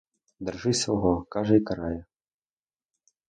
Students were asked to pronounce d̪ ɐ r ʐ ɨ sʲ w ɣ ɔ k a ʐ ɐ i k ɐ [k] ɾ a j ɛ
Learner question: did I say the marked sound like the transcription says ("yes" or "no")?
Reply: no